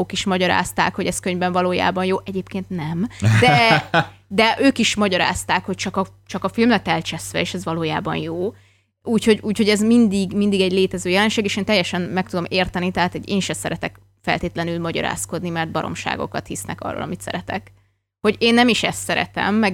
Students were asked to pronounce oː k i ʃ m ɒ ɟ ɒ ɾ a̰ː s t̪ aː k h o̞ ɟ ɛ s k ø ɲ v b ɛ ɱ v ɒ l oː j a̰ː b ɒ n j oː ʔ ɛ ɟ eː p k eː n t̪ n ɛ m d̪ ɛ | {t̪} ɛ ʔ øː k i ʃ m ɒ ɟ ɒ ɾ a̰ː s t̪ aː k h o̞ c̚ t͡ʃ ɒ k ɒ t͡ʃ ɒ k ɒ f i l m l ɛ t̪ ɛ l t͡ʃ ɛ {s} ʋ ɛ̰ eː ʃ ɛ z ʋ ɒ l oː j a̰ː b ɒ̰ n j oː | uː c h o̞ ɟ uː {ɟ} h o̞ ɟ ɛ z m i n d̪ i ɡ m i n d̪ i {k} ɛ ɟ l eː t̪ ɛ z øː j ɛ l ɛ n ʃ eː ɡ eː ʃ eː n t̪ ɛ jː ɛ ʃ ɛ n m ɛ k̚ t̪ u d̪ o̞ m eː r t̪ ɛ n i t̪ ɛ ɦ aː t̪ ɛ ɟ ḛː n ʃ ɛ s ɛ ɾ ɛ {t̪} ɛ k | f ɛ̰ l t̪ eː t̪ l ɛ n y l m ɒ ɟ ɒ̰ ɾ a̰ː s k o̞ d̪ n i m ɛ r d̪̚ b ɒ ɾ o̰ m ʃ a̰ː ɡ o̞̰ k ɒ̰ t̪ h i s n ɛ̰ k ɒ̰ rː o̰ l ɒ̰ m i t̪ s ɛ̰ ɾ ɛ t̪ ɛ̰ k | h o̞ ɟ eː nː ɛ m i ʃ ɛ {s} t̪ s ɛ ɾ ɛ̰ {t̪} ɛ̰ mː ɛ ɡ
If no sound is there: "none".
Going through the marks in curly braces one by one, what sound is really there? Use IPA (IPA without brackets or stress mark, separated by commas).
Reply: d̪, s, c, ɡ, t̪, s, t̪